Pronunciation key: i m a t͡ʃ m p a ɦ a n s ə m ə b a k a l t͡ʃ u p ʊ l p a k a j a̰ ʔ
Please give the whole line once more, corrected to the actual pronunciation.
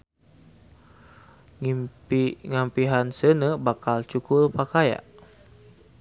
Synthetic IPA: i ŋ a m p i ɦ a n s ə n ə b a k a l t͡ʃ u k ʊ l p a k a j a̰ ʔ